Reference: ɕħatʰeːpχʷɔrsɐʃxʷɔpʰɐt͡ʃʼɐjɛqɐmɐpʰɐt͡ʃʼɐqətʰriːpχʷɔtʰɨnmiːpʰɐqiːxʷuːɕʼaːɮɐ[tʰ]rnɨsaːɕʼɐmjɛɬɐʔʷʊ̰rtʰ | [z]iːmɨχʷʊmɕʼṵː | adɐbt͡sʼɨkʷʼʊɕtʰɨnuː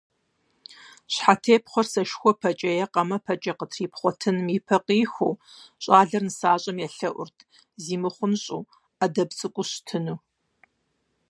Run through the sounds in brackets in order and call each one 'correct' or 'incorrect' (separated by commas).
incorrect, correct